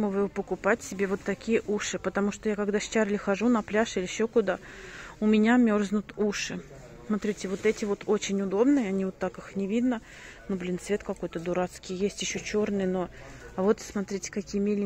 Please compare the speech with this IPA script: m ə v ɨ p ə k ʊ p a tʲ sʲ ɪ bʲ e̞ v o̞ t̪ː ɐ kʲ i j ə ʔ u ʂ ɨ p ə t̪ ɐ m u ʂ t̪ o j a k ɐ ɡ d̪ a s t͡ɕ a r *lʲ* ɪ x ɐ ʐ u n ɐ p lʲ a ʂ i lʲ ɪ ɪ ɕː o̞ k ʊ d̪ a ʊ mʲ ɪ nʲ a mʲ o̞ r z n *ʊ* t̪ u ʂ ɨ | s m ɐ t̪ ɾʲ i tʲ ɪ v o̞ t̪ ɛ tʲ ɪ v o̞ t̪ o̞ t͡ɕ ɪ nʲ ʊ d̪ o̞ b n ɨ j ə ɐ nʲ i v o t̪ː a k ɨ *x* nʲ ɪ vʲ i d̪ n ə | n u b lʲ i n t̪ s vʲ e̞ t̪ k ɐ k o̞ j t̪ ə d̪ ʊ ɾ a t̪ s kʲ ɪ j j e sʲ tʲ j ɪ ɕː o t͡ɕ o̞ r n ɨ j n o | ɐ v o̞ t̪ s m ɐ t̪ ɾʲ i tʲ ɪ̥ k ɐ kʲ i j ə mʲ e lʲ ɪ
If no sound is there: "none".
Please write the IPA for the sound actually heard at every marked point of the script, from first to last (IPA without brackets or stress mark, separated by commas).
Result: lʲ, ʊ, x